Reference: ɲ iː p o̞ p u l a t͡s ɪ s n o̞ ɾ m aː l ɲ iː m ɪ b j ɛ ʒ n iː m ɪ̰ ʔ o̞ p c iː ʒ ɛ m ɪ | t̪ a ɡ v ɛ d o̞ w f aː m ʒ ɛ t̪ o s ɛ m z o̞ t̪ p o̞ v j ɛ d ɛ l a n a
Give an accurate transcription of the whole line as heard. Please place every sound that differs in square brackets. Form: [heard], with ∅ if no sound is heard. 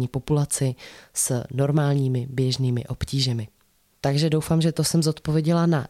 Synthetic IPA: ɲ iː p o̞ p u l a t͡s ɪ s n o̞ ɾ m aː l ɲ iː m ɪ b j ɛ ʒ n iː m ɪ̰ ʔ o̞ p c iː ʒ ɛ m ɪ | t̪ a ɡ [ʒ] ɛ d o̞ w f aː m ʒ ɛ t̪ o s ɛ m z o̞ t̪ p o̞ v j ɛ [ɟ] ɛ l a n a